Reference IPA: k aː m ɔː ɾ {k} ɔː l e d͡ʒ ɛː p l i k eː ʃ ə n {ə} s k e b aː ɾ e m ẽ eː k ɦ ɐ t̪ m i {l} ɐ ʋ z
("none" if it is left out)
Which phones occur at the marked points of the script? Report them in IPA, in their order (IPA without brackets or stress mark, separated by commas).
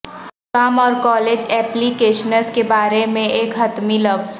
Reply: k, ə, l